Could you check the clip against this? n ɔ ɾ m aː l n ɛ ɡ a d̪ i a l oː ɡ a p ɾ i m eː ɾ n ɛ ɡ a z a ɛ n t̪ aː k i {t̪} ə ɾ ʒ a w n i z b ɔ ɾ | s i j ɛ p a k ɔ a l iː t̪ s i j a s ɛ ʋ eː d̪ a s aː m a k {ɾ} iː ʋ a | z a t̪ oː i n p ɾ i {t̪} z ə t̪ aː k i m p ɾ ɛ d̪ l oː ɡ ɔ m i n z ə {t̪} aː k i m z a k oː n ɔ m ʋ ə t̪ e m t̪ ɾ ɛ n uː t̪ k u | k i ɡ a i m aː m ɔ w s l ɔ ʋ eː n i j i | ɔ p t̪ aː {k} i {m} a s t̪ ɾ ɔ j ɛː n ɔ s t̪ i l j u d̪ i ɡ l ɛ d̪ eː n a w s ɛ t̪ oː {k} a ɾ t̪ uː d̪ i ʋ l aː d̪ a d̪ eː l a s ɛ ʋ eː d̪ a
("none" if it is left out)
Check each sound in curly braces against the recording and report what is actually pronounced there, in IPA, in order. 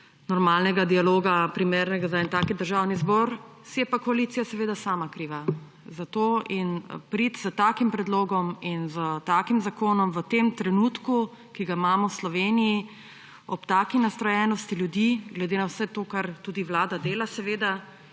d̪, ɾ, t̪, t̪, k, n, k

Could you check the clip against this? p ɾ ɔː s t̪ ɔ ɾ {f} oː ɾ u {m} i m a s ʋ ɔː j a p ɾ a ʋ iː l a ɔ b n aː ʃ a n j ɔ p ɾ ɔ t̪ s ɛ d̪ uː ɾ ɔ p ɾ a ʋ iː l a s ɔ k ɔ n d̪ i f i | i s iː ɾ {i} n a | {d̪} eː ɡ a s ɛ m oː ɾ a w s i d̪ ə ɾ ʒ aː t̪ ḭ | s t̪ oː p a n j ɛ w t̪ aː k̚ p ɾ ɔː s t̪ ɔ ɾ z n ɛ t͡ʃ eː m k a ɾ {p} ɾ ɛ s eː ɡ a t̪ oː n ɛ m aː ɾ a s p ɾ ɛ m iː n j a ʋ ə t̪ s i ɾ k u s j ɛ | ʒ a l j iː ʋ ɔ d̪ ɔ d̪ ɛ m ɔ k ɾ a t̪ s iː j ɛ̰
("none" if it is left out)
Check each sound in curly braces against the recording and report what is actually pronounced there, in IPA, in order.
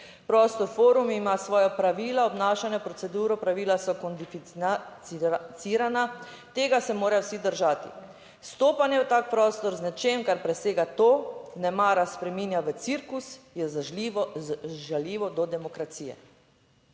f, m, a, t̪, p

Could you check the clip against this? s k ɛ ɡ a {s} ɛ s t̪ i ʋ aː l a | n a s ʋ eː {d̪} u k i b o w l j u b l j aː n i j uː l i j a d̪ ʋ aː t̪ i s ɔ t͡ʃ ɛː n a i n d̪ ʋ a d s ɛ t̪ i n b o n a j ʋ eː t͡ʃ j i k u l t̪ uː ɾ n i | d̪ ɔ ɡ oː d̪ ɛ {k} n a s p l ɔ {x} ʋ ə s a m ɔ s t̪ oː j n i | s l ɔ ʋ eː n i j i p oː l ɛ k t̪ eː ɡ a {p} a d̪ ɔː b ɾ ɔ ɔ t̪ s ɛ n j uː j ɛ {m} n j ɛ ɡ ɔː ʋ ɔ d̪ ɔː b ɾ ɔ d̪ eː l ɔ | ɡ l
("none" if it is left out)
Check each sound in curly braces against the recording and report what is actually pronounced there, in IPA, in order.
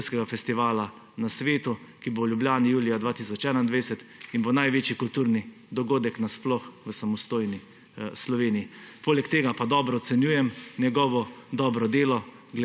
f, t̪, k, x, p, m

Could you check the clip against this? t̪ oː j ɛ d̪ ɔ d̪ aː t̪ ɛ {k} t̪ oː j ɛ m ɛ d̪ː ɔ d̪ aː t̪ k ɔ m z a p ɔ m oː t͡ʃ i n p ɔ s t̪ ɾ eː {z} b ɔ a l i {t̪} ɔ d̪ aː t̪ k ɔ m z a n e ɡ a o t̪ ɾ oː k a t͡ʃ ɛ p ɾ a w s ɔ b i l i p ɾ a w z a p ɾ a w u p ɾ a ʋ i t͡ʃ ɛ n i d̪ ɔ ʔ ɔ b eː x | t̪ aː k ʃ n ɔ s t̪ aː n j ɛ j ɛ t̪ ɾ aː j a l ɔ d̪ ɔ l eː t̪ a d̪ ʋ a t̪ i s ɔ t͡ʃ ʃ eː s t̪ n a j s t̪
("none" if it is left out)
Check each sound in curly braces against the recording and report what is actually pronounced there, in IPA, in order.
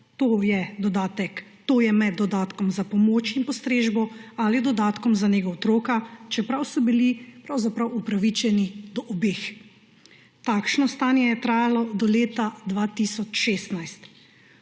k, ʒ, d̪

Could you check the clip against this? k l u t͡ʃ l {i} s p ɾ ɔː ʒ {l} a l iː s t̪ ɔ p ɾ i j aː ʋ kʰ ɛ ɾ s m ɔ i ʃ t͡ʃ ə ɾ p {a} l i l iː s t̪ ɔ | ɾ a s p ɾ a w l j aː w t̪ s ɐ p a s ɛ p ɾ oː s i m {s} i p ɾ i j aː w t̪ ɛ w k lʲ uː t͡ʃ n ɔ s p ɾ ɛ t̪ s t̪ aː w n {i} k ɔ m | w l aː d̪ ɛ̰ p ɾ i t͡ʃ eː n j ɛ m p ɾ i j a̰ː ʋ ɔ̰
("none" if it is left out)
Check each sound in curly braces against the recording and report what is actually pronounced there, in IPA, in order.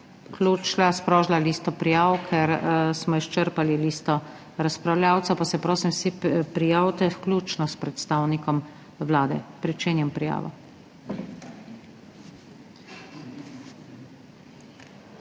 a, l, a, s, i

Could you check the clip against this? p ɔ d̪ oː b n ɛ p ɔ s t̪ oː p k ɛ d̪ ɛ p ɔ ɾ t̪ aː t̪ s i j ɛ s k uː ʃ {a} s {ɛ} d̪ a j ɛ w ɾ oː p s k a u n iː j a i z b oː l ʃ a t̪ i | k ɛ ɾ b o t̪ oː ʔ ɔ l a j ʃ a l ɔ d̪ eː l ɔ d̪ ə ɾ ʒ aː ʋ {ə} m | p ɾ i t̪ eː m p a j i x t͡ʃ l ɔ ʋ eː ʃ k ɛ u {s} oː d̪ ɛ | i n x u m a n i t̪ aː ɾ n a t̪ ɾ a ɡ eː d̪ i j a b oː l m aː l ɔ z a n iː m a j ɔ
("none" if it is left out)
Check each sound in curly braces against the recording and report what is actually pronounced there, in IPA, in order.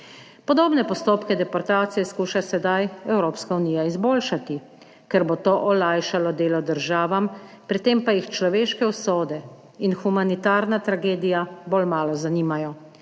a, ɛ, a, s

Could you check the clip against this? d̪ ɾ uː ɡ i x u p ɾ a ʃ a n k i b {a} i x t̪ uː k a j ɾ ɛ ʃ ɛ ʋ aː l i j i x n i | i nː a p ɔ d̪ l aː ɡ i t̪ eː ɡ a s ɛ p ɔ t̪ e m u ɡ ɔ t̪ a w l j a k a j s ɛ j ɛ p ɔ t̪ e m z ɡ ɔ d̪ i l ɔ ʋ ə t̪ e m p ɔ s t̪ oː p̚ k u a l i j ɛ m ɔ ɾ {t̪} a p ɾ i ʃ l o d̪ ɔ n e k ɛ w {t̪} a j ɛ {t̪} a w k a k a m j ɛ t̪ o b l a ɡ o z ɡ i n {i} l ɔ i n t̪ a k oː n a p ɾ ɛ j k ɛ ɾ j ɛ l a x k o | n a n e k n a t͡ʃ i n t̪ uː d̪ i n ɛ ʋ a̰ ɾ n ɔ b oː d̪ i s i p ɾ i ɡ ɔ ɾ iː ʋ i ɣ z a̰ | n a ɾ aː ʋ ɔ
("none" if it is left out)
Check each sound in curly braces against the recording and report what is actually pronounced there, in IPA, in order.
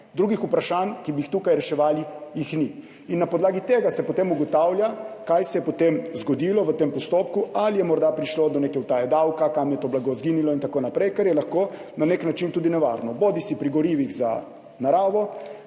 i, d̪, t̪, d̪, i

